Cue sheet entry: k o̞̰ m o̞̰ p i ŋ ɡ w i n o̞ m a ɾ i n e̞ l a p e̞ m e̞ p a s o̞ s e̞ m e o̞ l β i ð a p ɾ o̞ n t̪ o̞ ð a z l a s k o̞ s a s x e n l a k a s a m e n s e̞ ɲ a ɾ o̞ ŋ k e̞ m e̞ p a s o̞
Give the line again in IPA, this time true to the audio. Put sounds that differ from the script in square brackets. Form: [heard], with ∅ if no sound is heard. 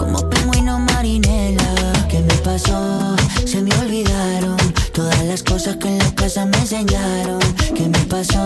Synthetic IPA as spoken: k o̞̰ m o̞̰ p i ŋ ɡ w i n o̞ m a ɾ i n e̞ l a [k] e̞ m e̞ p a s o̞ s e̞ m e o̞ l β i ð a [∅] ɾ o̞ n t̪ o̞ ð a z l a s k o̞ s a s [k] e n l a k a s a m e n s e̞ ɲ a ɾ o̞ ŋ k e̞ m e̞ p a s o̞